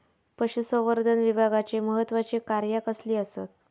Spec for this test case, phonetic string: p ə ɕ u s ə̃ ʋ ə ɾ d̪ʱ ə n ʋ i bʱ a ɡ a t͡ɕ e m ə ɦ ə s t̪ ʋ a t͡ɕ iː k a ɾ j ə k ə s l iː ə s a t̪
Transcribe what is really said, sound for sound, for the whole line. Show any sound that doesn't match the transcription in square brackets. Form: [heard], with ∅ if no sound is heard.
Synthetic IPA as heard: p ə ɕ u s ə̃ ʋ ə ɾ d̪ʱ ə n ʋ i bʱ a ɡ a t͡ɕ e m ə ɦ ə [∅] t̪ ʋ a t͡ɕ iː k a ɾ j [a] k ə s l iː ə s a t̪

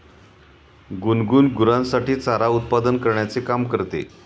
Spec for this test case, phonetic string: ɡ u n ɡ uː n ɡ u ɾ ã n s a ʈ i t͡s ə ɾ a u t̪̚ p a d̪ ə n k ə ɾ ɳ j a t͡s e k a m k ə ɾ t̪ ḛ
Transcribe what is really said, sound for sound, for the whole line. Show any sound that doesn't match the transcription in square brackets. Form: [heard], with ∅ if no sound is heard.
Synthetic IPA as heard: ɡ u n ɡ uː n ɡ u ɾ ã n s a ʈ [iː] t͡s [a] ɾ a u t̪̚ p a d̪ ə n k ə ɾ ɳ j a t͡s e k a m k ə ɾ t̪ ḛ

